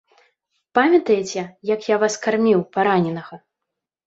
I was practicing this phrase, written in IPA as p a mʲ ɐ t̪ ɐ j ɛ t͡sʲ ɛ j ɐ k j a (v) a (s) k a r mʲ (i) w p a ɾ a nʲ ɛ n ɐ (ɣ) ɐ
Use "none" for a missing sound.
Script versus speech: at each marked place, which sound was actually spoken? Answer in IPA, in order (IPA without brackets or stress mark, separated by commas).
v, s, i, ɣ